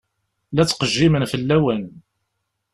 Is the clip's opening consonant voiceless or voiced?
voiced